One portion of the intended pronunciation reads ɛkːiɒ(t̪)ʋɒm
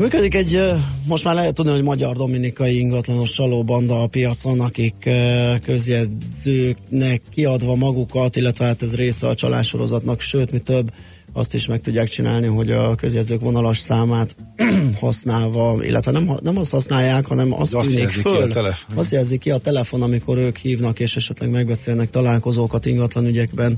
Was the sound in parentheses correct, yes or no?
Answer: no